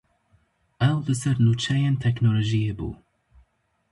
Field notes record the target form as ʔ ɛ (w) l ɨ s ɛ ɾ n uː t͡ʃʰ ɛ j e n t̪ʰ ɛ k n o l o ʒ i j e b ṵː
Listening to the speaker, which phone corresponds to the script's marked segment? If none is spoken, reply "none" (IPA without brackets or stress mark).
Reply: w